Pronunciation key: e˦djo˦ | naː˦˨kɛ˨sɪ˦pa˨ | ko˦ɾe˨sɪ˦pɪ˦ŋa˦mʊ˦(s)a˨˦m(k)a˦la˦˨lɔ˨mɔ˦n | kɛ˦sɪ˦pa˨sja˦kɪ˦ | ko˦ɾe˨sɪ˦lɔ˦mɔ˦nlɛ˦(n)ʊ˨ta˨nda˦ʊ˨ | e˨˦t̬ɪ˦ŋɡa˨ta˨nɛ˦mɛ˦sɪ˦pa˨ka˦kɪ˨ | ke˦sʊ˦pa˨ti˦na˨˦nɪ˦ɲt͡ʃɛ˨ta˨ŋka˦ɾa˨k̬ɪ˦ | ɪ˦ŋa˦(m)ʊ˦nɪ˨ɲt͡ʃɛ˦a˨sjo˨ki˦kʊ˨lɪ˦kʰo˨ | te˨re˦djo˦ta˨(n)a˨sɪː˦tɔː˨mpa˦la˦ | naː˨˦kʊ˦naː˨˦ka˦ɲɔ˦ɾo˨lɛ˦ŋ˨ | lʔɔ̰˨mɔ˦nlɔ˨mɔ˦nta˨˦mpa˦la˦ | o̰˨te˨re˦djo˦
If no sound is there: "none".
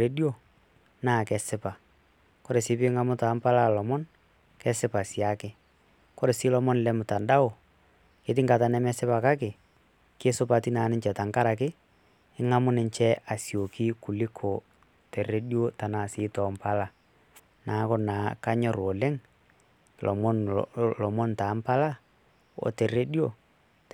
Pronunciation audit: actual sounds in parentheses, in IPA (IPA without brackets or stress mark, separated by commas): t, p, m, m, n